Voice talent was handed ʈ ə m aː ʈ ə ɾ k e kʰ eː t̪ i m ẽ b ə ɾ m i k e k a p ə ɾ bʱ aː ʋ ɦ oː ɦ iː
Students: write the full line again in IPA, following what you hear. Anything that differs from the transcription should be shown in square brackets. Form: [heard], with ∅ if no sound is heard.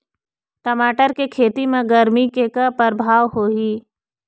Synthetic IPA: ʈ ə m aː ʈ ə ɾ k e kʰ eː t̪ i m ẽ [ɡ] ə ɾ m i k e k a p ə ɾ bʱ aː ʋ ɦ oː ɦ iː